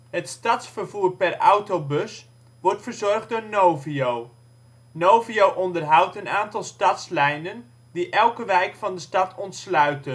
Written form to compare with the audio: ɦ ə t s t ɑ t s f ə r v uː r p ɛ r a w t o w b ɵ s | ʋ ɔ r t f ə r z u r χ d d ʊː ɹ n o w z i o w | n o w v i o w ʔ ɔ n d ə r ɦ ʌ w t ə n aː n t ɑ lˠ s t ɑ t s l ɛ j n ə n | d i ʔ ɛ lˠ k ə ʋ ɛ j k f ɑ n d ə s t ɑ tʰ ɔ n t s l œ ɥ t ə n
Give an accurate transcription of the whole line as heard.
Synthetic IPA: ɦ ə t s t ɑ t s f ə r v uː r p ɛ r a w t o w b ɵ s | ʋ ɔ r t f ə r z ɔ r χ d d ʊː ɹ n o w v i o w | n o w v i o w ʔ ɔ n d ə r ɦ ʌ w t ə n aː n t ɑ lˠ s t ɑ t s l ɛ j n ə n | d i ʔ ɛ lˠ k ə ʋ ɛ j k f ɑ n d ə s t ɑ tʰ ɔ n t s l œ ɥ t ə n

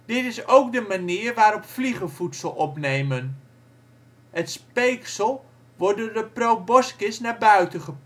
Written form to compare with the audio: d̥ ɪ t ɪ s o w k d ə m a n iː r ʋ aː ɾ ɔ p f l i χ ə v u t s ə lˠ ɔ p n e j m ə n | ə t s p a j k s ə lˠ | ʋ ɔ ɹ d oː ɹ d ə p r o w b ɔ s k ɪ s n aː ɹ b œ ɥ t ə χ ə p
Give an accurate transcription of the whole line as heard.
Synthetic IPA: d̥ ɪ t ɪ s o w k d ə m a n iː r ʋ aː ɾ ɔ p f l i χ ə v u t s ə lˠ ɔ p n e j m ə n | ə t s p e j k s ə lˠ | ʋ ɔ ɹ d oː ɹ d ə p r o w b ɔ s k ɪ s n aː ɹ b œ ɥ t ə χ ə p

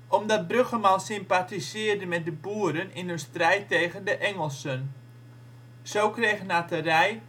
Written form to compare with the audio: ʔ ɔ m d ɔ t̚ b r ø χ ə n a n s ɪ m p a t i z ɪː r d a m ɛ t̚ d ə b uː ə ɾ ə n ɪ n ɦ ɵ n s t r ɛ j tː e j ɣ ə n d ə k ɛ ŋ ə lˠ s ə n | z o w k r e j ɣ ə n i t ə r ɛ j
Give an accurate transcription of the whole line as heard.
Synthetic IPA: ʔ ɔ m d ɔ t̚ b r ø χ ə m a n s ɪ m p a t i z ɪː r d ə m ɛ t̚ d ə b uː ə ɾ ə n ɪ n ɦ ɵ n s t r ɛ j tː e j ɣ ə n d ə ʔ ɛ ŋ ə lˠ s ə n | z o w k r e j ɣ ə n a t ə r ɛ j

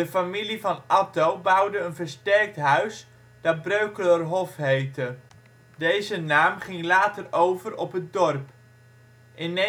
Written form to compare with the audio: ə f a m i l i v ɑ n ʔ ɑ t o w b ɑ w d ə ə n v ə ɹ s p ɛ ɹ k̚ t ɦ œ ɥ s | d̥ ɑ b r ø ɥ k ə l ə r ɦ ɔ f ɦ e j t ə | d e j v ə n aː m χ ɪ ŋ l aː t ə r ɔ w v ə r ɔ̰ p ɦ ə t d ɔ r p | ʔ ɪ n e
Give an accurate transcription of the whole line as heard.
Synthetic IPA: ə f a m i l i v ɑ n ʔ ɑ t o w b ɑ w d ə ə n v ə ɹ s t ɛ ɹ k̚ t ɦ œ ɥ s | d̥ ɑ b r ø ɥ k ə l ə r ɦ ɔ f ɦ e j t ə | d e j z ə n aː m χ ɪ ŋ l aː t ə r o w v ə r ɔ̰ p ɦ ə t d ɔ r p | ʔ ɪ n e

